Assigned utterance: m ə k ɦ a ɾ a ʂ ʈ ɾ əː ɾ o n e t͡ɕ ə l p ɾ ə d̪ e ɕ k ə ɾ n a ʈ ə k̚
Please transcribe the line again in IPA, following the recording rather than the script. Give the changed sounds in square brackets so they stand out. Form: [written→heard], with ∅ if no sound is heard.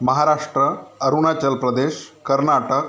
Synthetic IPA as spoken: m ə [k→∅] ɦ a ɾ a ʂ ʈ ɾ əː ɾ [o→u] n [e→a] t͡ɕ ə l p ɾ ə d̪ e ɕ k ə ɾ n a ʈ ə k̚